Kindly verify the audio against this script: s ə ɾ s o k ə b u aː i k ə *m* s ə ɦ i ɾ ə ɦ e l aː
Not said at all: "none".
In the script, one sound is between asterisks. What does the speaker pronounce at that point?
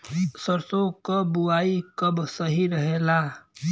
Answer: b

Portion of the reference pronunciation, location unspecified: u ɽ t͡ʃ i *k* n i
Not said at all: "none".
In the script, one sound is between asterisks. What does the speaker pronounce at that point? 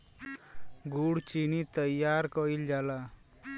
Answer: none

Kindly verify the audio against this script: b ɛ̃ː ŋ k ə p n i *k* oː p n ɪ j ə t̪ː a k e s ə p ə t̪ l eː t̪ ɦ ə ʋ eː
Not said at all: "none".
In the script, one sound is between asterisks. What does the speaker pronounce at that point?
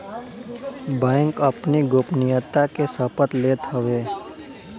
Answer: ɡ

